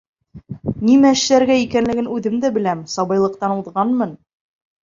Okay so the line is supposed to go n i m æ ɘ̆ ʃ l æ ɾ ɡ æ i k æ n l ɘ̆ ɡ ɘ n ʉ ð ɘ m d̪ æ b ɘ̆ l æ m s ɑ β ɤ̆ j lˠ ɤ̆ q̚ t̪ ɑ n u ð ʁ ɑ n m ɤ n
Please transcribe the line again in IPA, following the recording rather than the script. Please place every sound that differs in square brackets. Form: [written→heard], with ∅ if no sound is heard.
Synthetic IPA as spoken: n i m æ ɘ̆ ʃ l æ ɾ ɡ æ i k æ n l ɘ̆ ɡ ɘ n ʉ ð ɘ m d̪ æ b ɘ̆ l æ m s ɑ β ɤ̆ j lˠ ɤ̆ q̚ t̪ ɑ n u ð ʁ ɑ n m ɤ n